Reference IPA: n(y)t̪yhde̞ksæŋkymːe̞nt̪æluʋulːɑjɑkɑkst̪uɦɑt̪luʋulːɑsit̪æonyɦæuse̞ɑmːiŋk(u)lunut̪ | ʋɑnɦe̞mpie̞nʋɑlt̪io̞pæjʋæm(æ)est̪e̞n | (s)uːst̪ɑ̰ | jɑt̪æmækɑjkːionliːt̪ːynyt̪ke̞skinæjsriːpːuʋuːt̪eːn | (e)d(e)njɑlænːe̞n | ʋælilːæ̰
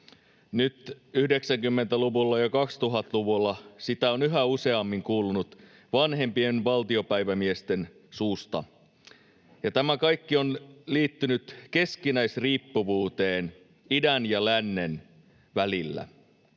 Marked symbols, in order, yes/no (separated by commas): yes, no, no, yes, no, no